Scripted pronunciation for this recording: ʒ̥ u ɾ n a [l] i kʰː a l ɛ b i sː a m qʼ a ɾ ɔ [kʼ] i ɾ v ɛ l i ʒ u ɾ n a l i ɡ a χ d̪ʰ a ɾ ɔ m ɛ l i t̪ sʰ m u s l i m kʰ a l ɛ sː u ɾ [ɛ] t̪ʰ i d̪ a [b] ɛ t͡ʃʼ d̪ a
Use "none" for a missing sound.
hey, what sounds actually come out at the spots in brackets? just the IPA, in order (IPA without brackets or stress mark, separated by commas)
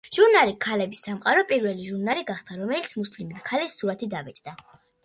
l, pʼ, a, v